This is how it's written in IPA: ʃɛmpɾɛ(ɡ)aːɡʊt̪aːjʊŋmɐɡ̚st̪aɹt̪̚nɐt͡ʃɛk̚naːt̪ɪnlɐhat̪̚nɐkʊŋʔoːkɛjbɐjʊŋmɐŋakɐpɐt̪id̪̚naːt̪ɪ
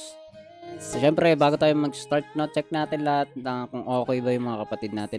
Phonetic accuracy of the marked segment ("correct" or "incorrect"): incorrect